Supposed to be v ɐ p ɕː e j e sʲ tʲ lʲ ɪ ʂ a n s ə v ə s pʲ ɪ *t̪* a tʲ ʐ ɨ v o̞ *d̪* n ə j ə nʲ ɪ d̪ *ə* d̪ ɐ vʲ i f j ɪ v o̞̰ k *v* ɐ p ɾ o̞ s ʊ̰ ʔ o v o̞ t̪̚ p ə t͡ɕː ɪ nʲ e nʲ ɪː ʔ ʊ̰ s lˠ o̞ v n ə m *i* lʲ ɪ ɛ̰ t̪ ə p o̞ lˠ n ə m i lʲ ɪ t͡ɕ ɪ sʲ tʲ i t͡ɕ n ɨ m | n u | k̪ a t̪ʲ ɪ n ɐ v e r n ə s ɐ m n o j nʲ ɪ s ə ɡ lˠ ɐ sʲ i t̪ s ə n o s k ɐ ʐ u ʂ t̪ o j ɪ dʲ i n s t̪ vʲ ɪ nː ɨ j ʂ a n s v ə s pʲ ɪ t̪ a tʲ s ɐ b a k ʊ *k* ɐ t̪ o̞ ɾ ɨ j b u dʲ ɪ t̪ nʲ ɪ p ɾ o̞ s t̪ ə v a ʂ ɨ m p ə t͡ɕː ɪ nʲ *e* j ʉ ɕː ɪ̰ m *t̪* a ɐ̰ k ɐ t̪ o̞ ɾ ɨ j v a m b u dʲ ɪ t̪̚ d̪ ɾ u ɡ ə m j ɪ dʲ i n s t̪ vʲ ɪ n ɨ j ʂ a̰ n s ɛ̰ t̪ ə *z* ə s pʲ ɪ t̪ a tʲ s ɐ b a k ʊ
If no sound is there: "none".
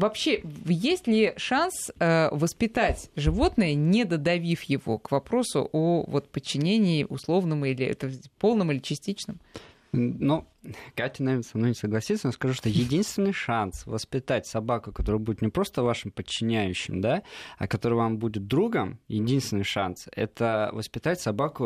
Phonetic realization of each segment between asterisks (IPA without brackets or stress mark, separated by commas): t̪, t̪, ə, v, i, k, æ, d̪, v